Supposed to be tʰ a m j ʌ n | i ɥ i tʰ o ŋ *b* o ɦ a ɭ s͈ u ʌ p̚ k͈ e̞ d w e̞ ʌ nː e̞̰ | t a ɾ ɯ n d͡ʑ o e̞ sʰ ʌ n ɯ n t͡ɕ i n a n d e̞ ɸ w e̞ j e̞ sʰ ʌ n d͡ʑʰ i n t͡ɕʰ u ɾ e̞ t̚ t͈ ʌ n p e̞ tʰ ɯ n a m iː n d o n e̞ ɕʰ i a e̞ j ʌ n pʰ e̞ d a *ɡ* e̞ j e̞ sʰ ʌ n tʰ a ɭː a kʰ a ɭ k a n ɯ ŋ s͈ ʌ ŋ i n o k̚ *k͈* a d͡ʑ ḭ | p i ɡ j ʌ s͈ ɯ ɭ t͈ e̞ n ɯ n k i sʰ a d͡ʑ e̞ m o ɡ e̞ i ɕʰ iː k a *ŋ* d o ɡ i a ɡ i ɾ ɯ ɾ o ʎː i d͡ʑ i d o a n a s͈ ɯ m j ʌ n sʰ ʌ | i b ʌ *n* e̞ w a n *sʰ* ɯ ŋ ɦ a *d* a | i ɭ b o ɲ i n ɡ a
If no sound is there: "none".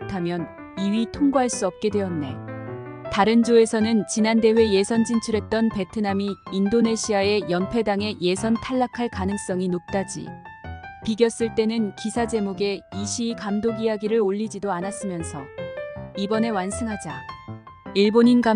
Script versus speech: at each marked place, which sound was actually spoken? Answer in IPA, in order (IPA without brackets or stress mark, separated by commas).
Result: ɡ, ŋ, t͈, m, n, sʰ, d͡ʑ